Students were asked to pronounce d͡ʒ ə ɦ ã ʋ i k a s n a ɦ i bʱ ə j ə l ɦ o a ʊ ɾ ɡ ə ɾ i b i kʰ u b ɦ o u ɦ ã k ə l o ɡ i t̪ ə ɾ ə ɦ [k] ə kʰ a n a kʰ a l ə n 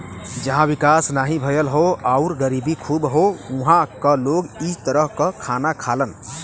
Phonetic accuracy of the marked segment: correct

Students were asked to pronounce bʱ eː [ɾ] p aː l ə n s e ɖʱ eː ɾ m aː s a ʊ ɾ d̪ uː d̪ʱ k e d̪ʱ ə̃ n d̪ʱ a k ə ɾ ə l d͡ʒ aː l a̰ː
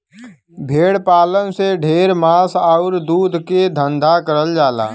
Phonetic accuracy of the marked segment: incorrect: ɽ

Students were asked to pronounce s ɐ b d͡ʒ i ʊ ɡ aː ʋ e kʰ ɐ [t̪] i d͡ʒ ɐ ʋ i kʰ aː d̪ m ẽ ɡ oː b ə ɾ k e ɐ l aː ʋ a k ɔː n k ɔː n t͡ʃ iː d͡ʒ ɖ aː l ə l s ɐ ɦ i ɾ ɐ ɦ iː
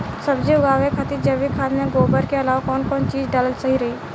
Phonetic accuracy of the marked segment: correct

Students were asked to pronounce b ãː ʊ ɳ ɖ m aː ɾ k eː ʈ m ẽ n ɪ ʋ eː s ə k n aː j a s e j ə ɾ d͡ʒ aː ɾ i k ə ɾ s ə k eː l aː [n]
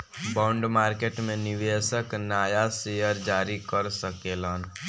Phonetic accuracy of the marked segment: correct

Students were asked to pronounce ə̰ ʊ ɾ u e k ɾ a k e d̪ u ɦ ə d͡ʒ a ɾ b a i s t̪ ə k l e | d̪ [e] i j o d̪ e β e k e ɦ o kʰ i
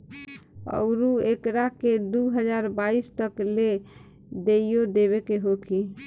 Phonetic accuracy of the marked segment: correct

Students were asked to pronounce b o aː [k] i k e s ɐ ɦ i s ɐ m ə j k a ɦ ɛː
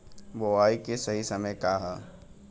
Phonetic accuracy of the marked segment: incorrect: none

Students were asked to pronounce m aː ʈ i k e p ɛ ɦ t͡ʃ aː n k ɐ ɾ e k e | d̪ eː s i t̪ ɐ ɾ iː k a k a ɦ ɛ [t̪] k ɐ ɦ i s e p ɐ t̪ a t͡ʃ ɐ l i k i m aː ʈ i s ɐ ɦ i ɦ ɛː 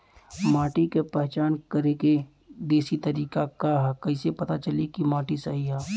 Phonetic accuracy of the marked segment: incorrect: none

